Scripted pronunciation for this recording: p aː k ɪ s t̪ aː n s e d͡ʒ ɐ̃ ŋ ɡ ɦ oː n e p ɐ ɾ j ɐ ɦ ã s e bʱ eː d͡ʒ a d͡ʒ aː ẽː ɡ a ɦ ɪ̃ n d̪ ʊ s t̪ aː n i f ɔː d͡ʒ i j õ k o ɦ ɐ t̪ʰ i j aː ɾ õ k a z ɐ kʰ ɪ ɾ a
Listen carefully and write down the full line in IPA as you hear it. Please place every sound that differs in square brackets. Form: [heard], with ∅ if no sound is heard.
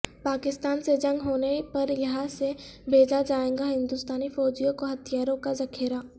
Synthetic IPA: p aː k ɪ s t̪ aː n s e d͡ʒ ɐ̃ ŋ ɡ ɦ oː n e p ɐ ɾ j ɐ ɦ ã s e bʱ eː d͡ʒ a d͡ʒ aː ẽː ɡ a ɦ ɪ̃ n d̪ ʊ s t̪ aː n i f ɔː d͡ʒ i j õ k o ɦ ɐ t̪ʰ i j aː ɾ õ k a z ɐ kʰ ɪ ɾ a